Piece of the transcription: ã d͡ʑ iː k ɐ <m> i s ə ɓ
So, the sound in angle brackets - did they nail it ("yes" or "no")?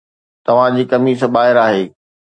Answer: yes